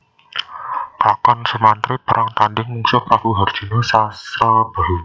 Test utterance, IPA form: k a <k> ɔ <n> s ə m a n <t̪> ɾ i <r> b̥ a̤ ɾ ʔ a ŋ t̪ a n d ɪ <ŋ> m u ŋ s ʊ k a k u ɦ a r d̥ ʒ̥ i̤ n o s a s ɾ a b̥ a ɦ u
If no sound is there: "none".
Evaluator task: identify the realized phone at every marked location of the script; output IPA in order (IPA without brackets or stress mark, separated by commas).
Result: k, n, t̪, none, ŋ